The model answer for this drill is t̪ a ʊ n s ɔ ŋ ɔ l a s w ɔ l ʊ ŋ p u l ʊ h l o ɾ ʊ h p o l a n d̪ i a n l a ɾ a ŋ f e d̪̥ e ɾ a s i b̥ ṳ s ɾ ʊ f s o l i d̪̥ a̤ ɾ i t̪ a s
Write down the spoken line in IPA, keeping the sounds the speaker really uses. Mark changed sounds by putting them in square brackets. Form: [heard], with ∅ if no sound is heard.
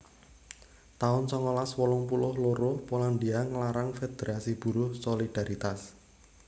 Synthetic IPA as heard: t̪ a ʊ n s ɔ ŋ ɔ l a s w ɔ l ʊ ŋ p u l ʊ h l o ɾ ʊ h p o l a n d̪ i a [ŋ] l a ɾ a ŋ f e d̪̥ e ɾ a s i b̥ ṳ [∅] ɾ ʊ [h] s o l i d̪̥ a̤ ɾ i t̪ a s